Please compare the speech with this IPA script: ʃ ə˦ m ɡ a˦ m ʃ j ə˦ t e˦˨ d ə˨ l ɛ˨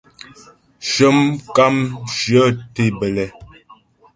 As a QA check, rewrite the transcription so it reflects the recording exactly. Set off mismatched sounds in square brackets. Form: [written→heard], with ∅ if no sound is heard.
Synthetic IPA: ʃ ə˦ m [ɡ→k] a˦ m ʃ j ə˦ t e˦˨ [d→b] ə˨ l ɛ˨

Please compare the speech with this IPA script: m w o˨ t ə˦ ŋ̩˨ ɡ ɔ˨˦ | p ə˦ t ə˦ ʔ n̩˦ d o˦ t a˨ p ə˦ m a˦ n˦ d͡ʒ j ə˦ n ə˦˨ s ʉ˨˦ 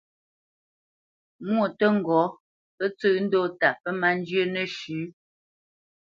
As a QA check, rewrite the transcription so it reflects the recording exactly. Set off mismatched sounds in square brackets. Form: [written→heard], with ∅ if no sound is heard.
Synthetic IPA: m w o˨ t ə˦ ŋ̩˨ ɡ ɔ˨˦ | p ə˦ [t→t͡s] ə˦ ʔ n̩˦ d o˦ t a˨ p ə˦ m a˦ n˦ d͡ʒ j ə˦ n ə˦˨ [s→ʃ] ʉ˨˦

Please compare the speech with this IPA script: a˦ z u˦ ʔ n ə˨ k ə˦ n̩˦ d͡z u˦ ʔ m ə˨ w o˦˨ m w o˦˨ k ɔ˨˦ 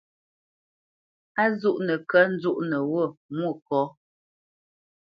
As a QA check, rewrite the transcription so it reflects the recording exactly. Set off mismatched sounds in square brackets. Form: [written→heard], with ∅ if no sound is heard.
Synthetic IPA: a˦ z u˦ ʔ n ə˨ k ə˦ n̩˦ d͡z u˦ ʔ [m→n] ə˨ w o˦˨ m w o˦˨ k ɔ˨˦

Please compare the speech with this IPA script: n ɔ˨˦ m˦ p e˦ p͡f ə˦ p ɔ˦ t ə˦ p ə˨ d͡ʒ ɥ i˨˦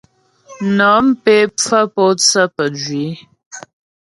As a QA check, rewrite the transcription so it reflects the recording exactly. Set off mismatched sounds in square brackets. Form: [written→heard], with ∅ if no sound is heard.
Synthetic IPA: n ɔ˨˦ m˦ p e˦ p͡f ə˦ p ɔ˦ [t→t͡s] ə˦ p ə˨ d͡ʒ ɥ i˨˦

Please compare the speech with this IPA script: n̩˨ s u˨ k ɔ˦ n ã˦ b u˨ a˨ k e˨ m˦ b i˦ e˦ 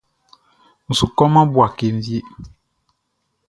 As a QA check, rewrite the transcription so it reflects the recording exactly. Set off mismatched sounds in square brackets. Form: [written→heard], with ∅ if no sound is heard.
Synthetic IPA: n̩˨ s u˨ k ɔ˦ [n→m] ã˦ b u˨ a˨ k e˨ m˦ [b→v] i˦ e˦

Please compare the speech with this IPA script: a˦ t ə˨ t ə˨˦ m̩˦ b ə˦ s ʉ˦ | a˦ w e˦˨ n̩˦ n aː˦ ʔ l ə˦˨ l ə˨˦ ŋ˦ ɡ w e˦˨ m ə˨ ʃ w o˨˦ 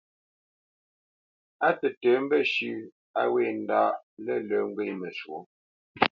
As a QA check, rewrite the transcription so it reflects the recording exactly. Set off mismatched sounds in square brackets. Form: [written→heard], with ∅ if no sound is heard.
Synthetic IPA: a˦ t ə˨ t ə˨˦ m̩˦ b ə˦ [s→ʃ] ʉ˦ | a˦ w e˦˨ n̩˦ [n→d] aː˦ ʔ l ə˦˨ l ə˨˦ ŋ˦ ɡ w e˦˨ m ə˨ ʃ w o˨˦

